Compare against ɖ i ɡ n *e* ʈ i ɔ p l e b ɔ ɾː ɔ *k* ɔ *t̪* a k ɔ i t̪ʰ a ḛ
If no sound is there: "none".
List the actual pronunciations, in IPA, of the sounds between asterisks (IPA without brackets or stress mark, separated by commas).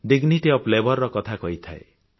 i, k, t̪ʰ